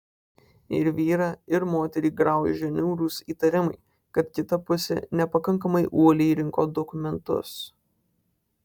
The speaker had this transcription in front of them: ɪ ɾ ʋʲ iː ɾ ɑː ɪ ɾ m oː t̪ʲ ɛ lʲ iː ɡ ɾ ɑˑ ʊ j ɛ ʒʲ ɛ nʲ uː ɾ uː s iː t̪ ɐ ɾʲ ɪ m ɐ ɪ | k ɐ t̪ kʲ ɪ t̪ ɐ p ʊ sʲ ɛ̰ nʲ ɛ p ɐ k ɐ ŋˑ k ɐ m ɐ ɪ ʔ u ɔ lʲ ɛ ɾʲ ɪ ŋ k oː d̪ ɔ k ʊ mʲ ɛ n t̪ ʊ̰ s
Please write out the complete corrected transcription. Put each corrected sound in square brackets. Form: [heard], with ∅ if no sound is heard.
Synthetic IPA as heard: ɪ ɾ ʋʲ iː ɾ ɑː ɪ ɾ m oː t̪ʲ ɛ [ɾʲ] iː ɡ ɾ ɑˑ ʊ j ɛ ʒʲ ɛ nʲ uː ɾ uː s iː t̪ ɐ ɾʲ ɪ m ɐ ɪ | k ɐ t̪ kʲ ɪ t̪ ɐ p ʊ sʲ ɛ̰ nʲ ɛ p ɐ k ɐ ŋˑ k ɐ m ɐ ɪ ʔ u ɔ lʲ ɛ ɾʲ ɪ ŋ k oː d̪ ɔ k ʊ mʲ ɛ n t̪ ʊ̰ s